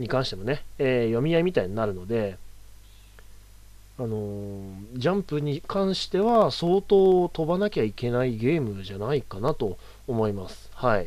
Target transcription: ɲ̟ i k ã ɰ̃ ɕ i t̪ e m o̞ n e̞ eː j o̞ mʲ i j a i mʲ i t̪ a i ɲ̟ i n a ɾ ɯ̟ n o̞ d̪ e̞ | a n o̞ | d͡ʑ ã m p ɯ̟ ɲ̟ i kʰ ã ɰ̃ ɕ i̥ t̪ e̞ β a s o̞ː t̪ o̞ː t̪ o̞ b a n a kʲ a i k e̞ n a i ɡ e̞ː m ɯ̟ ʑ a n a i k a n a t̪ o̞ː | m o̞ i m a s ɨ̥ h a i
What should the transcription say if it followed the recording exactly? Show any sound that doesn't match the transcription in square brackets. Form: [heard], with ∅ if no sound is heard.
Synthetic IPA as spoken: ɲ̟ i k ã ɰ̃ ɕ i t̪ e m o̞ n e̞ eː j o̞ mʲ i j a i mʲ i t̪ a i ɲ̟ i n a ɾ ɯ̟ n o̞ d̪ e̞ | a n o̞ | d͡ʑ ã m p ɯ̟ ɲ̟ i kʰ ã ɰ̃ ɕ i̥ t̪ e̞ β a s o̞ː t̪ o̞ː t̪ o̞ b a n a kʲ a i k e̞ n a i ɡ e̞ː m ɯ̟ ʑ a n a i k a n a t̪ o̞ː | m o̞ i m a s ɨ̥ h a i